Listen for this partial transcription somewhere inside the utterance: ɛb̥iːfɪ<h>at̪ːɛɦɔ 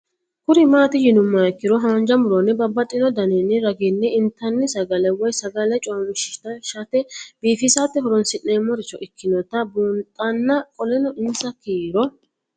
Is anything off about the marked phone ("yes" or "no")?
yes